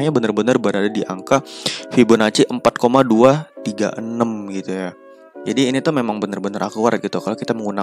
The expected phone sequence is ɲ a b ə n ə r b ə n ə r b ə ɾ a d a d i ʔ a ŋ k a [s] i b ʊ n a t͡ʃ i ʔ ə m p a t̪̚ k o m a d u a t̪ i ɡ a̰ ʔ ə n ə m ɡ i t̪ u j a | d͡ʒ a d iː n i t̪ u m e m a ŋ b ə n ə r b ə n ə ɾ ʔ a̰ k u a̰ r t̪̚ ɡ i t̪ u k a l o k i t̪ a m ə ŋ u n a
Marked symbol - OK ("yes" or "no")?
no